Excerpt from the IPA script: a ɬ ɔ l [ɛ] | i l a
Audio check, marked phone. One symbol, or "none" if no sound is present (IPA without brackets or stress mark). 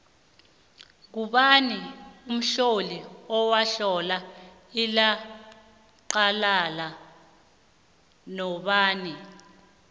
a